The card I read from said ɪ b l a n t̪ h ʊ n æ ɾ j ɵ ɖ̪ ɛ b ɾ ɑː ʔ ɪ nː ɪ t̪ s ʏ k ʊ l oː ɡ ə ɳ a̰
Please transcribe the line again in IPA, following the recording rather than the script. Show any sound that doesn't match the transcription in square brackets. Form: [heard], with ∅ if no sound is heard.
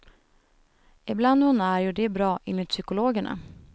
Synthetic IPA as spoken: ɪ b l a n [d̪] h ʊ n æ ɾ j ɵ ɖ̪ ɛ b ɾ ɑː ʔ ɪ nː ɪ t̪ s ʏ k ʊ l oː ɡ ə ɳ a̰